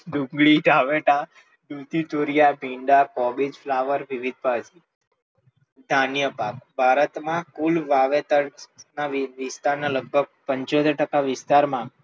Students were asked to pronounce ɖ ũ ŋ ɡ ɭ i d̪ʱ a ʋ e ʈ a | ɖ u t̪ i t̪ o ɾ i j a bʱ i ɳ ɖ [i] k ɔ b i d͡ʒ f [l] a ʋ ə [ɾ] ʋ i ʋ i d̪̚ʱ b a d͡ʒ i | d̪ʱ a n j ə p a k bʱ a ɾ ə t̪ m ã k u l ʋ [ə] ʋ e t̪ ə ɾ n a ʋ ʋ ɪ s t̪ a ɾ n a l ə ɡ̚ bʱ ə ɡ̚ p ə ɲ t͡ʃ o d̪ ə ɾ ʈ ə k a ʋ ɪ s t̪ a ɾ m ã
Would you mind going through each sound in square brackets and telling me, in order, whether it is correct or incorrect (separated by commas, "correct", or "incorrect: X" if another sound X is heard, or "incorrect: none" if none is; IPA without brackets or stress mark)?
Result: incorrect: a, correct, correct, incorrect: a